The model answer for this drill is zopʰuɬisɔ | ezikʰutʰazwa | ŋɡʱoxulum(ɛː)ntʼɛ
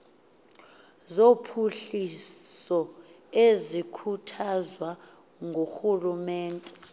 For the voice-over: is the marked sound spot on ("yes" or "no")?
yes